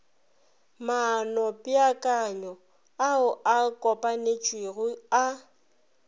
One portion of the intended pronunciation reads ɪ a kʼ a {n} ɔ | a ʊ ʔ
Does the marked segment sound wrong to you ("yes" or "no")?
yes